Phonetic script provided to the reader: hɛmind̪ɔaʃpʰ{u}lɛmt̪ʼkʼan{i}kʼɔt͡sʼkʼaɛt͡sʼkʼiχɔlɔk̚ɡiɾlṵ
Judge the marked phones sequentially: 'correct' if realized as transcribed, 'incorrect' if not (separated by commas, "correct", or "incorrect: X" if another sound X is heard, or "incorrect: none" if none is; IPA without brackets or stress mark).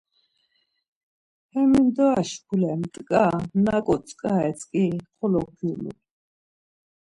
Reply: correct, incorrect: a